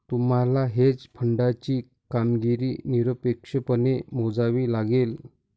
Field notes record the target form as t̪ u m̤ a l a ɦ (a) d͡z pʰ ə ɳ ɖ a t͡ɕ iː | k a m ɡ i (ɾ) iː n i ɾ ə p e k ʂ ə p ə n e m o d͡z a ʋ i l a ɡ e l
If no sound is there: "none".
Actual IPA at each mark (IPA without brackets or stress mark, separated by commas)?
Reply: e, ɾ